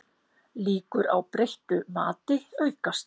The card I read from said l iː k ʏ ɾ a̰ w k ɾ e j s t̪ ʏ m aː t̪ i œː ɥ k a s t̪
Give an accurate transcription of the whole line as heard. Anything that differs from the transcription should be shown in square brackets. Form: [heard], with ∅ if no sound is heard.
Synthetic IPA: l iː k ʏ ɾ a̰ w [p] ɾ e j [h] t̪ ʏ m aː t̪ [ɪ] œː ɥ k a s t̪